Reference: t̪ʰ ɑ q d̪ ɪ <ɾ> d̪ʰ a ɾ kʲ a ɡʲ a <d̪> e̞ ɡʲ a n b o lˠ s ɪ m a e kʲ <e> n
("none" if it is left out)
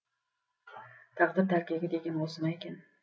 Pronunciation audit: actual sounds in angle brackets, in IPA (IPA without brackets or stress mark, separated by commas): ɾ, d̪, a